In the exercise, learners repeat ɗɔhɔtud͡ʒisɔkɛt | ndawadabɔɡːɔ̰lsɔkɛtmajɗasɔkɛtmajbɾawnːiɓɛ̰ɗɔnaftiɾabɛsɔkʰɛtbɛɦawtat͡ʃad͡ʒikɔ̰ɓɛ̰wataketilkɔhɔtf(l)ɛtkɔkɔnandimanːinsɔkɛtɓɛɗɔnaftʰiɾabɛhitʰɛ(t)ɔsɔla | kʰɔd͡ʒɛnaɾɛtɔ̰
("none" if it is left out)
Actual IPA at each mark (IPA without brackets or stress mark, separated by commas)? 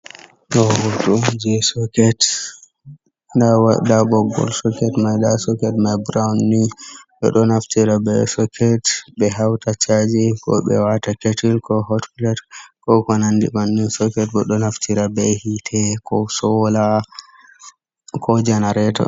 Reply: l, k